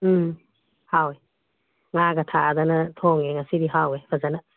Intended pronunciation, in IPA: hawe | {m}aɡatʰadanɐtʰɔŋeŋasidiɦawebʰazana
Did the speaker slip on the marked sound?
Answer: yes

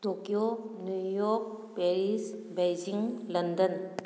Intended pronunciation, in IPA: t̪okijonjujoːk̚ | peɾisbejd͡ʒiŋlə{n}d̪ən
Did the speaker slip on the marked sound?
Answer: no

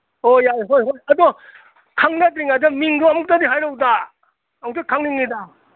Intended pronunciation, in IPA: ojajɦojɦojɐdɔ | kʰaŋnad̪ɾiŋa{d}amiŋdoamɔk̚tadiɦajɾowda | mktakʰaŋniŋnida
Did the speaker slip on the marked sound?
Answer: no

